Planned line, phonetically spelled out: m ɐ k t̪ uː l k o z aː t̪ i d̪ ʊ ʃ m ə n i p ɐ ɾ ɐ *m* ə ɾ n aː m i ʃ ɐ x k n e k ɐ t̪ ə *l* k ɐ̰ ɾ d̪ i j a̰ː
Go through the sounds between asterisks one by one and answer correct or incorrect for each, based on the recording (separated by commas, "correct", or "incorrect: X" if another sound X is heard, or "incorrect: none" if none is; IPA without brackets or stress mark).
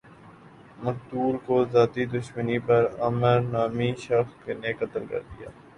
correct, correct